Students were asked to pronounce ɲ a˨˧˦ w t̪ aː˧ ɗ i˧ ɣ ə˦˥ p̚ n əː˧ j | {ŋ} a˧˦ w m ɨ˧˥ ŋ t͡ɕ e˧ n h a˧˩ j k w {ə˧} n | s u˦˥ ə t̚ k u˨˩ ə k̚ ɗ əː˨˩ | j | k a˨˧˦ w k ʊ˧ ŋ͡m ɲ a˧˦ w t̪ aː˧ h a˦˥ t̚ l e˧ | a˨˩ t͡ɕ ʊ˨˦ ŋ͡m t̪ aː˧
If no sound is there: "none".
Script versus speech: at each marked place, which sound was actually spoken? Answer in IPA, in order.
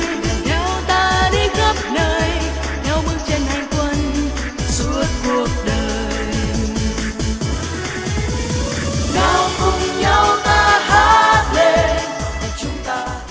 ɲ, ə˧

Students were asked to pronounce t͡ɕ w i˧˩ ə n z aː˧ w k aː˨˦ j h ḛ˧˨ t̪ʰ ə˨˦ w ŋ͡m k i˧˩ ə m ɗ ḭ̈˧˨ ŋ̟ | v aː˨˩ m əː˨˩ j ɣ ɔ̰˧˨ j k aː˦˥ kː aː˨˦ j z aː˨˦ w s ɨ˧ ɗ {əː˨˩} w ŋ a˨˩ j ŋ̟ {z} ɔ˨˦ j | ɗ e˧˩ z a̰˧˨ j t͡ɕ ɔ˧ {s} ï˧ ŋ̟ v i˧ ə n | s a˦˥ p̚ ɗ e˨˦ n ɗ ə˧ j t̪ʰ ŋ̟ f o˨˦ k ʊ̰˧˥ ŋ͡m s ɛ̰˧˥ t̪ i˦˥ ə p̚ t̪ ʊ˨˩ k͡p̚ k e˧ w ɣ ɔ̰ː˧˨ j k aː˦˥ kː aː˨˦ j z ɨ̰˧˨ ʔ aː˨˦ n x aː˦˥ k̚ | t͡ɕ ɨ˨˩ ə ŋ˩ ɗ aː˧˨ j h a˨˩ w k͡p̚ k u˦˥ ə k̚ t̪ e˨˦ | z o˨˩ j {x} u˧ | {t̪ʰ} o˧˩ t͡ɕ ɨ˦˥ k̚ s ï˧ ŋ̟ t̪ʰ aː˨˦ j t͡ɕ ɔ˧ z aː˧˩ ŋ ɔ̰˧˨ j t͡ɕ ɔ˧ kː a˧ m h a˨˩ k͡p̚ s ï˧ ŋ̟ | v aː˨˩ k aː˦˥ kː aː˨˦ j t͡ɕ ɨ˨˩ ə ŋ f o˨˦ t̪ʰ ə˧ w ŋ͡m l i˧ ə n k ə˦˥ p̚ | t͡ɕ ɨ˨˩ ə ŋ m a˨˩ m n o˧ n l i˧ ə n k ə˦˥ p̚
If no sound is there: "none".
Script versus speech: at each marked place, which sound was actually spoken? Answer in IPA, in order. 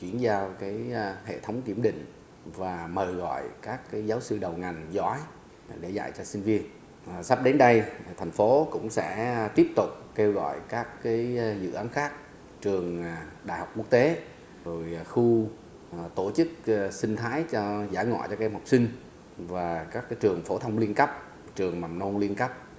ə˨˩, z, s, x, t̪

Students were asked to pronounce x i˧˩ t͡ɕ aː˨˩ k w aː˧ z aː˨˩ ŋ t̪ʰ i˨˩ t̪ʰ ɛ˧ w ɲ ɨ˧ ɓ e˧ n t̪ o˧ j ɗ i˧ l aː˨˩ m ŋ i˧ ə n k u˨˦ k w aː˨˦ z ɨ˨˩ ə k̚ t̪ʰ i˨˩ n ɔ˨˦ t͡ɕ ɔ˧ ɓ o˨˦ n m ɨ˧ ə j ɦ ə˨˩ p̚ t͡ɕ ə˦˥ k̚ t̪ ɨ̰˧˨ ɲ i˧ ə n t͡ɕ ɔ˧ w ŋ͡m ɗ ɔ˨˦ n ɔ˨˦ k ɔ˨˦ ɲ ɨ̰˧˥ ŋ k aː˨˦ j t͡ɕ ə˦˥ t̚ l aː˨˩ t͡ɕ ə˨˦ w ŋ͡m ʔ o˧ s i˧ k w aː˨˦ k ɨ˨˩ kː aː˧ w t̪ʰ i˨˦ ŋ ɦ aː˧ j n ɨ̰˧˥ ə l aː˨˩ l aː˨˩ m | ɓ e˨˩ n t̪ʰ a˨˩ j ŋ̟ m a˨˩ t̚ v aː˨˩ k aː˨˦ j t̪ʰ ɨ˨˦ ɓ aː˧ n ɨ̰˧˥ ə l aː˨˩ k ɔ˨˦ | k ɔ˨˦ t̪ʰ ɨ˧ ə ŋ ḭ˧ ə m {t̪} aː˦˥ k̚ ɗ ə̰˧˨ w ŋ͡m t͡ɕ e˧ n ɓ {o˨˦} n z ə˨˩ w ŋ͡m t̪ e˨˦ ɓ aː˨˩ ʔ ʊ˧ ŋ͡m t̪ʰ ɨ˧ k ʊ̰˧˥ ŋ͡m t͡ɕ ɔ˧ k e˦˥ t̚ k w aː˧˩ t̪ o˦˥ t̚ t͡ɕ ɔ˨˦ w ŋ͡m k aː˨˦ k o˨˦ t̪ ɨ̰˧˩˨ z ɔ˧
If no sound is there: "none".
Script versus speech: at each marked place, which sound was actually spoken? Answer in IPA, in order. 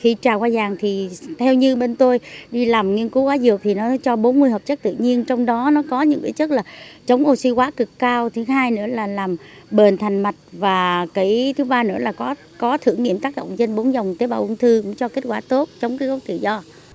t̪, o˨˦

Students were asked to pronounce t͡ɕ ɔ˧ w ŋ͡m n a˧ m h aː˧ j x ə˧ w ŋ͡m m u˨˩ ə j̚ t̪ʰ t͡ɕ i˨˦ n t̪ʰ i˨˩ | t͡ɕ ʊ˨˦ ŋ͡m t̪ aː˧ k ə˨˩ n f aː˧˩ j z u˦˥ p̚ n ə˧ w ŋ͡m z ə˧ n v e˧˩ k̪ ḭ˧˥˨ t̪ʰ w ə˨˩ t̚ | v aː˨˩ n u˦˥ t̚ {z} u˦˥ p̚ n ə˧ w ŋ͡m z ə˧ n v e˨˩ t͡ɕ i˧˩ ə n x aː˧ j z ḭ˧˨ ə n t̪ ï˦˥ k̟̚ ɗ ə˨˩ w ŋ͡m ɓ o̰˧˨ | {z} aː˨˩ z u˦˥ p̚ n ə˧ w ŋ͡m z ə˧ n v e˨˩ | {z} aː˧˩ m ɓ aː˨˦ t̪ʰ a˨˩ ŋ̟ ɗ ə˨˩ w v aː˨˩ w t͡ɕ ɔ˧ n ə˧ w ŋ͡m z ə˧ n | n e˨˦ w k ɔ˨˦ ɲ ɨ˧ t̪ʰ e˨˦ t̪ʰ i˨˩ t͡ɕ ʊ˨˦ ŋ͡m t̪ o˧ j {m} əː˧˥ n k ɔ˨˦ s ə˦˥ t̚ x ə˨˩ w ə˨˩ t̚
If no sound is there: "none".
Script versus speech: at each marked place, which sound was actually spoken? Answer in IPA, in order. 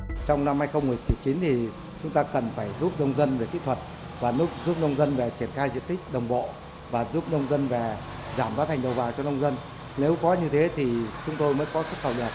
z, v, z, m

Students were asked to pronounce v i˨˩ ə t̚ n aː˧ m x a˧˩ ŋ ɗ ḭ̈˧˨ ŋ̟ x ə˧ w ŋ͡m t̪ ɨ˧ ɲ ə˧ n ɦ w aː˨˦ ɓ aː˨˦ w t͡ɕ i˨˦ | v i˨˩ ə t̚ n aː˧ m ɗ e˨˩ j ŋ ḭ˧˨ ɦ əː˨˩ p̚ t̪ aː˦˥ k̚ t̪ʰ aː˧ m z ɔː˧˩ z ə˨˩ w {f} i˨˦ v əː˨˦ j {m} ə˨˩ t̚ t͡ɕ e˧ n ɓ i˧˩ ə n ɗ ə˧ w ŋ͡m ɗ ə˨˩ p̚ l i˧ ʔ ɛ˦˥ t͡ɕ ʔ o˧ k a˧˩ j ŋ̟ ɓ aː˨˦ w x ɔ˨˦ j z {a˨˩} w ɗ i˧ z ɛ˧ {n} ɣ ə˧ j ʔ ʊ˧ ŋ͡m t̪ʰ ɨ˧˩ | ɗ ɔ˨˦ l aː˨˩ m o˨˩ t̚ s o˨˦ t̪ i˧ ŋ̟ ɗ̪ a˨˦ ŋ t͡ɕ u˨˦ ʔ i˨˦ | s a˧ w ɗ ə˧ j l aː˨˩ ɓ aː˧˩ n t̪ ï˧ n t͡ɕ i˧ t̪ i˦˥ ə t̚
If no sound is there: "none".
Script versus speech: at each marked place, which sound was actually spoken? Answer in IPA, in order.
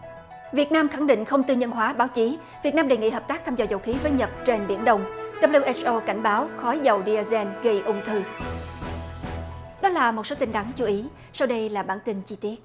x, ɲ, ə˨˩, n

